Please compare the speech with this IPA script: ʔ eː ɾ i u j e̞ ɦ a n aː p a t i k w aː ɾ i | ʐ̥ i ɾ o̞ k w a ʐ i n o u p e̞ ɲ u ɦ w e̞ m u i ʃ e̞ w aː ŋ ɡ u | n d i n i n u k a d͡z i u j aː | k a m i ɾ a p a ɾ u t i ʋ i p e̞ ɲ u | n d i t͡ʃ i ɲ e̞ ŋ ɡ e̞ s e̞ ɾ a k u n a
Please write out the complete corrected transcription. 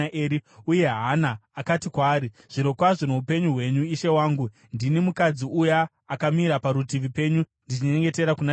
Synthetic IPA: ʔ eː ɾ i u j e̞ ɦ a n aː k a t i k w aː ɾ i | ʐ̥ i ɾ o̞ k w a ʐ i n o u p e̞ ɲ u ɦ w e̞ ɲ u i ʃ e̞ w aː ŋ ɡ u | n d i n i m u k a d͡z i u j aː | k a m i ɾ a p a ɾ u t i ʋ i p e̞ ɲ u | n d i t͡ʃ i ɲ e̞ ŋ ɡ e̞ t e̞ ɾ a k u n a